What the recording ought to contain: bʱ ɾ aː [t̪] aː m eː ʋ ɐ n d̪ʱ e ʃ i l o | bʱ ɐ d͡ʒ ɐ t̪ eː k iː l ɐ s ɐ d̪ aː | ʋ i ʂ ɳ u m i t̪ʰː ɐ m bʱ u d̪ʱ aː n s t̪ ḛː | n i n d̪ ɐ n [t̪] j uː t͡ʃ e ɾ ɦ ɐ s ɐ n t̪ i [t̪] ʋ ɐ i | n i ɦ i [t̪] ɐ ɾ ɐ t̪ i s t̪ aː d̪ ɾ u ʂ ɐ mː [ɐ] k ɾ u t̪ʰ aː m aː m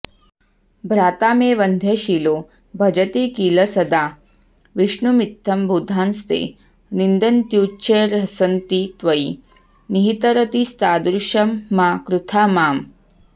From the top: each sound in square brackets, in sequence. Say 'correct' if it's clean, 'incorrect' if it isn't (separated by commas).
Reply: correct, correct, correct, correct, incorrect